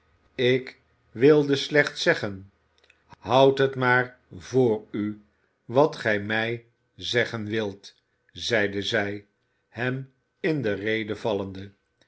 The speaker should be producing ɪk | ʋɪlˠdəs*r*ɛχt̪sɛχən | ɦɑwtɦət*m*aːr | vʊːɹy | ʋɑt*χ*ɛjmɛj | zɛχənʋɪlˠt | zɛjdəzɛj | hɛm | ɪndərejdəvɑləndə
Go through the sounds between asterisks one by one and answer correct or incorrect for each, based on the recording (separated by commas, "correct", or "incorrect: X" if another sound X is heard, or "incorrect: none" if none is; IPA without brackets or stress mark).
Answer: incorrect: l, correct, correct